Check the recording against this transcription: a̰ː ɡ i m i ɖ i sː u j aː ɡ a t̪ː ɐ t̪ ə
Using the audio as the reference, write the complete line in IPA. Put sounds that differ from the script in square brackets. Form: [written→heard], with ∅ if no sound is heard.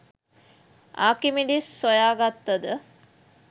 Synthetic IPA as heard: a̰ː [ɡ→k] i m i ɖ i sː [u→o] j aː ɡ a t̪ː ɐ [t̪→d̪] ə